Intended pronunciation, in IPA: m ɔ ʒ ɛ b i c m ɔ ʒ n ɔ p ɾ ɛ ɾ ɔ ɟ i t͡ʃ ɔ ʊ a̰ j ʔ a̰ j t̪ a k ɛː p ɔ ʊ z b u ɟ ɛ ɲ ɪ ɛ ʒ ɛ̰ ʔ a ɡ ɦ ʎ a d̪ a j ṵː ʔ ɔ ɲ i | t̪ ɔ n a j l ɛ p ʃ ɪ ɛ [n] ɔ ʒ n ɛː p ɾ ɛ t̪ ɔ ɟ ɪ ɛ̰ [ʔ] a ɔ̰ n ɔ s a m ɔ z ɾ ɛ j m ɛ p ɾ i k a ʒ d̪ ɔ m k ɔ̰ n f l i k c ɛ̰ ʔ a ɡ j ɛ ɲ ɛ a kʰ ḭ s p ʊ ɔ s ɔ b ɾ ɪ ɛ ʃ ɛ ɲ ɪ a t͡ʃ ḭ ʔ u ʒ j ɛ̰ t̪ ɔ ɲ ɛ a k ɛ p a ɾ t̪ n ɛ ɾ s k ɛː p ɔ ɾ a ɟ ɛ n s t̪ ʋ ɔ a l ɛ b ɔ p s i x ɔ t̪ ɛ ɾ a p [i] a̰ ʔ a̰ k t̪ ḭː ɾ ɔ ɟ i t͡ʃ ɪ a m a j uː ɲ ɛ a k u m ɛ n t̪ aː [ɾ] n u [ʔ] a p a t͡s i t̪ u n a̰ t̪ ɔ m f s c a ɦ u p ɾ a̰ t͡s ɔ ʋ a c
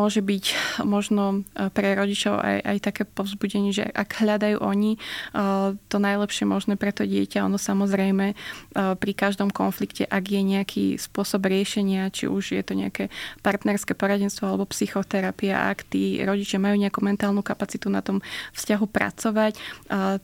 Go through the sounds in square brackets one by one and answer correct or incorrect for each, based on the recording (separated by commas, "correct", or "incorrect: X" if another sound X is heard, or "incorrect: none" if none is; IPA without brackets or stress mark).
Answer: incorrect: m, incorrect: c, correct, incorrect: l, incorrect: k